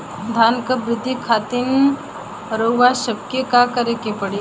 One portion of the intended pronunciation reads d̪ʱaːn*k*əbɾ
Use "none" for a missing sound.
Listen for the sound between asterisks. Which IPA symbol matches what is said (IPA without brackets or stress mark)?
k